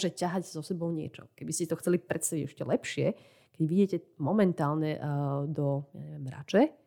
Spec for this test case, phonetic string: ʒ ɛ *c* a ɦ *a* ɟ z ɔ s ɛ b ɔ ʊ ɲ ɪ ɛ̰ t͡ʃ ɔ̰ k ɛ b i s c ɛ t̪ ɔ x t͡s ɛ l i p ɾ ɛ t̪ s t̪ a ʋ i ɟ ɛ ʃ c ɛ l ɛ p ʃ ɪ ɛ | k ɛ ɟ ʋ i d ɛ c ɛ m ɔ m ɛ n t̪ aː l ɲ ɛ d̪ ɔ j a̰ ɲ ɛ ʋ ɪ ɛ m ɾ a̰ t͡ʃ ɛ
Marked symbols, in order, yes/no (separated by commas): yes, yes